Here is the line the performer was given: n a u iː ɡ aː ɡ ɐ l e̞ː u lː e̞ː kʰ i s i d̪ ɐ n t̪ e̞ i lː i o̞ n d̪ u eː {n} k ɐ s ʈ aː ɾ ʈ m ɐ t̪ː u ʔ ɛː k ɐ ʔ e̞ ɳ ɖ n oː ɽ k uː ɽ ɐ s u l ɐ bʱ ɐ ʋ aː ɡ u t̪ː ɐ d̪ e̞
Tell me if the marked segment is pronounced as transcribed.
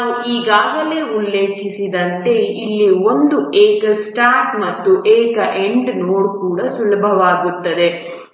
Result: no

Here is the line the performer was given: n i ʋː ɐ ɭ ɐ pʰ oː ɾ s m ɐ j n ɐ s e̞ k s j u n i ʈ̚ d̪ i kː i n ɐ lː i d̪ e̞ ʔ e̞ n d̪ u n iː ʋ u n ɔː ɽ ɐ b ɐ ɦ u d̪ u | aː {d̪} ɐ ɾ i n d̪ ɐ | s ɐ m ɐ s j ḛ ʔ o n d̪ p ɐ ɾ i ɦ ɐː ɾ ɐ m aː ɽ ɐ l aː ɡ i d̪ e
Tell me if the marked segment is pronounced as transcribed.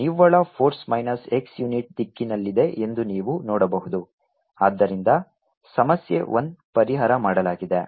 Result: no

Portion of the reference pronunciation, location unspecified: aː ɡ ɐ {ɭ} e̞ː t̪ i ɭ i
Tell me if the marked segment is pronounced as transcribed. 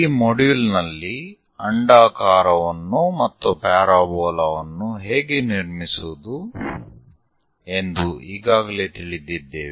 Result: no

